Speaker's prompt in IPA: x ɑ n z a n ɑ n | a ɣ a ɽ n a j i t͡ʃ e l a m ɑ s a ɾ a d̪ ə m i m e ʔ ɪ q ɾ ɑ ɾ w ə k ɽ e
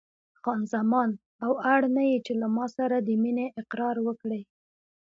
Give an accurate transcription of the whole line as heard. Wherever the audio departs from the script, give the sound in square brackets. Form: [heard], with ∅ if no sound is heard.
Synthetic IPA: x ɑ n z a [m] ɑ n | a [w] a ɽ n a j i t͡ʃ e l a m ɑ s a ɾ a d̪ ə m i [n] e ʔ ɪ q ɾ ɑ ɾ w ə k ɽ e

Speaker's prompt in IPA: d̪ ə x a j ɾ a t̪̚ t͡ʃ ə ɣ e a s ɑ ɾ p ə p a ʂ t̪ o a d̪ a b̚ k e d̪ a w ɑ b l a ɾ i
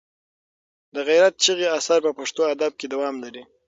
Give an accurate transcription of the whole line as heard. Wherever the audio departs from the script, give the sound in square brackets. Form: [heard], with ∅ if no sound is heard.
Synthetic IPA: d̪ ə [ɣ] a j ɾ a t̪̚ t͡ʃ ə ɣ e a s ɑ ɾ p ə p a ʂ t̪ o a d̪ a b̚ k e d̪ a w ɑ [m] l a ɾ i

